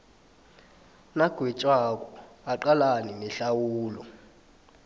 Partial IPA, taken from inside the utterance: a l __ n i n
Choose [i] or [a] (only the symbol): a